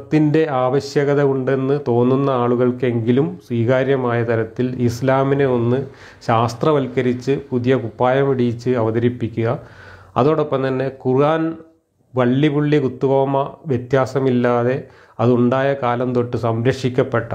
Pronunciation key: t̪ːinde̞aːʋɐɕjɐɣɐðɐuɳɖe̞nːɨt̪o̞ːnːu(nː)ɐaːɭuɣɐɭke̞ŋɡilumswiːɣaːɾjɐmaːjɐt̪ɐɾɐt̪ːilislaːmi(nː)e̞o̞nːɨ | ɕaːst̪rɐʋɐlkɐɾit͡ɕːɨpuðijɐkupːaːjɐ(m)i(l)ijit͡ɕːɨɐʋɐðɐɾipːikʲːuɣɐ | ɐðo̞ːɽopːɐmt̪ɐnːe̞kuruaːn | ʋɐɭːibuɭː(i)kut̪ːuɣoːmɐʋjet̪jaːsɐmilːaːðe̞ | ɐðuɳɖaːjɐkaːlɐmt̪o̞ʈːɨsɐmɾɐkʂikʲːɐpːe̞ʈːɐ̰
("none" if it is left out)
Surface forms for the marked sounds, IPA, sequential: nː, n, m, ɽ, i

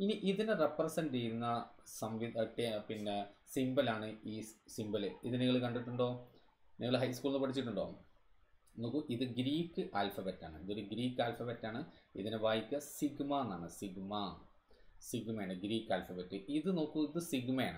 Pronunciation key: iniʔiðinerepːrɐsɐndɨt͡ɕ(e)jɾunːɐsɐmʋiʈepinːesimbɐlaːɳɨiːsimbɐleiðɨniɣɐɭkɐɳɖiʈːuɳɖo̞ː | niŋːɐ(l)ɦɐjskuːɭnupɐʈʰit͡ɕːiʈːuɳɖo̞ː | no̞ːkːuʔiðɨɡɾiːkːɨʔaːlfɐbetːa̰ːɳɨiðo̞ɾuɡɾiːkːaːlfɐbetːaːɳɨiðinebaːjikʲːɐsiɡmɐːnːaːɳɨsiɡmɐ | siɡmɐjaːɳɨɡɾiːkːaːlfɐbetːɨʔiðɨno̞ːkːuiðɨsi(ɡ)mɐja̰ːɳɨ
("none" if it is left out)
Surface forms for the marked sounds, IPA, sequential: e, ɭ, ɡ

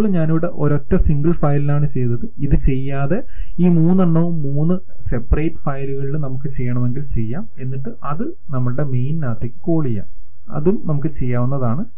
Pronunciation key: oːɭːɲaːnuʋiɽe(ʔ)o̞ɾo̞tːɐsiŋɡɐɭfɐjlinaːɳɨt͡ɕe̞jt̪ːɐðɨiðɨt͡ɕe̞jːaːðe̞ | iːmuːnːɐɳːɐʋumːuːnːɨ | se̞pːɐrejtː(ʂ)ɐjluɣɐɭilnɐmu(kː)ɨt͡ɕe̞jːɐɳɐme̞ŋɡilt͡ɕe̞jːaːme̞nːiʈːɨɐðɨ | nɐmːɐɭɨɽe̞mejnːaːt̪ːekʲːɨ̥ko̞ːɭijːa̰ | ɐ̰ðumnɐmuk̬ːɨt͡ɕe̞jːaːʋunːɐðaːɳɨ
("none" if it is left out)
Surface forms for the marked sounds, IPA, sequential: ʔ, f, kː

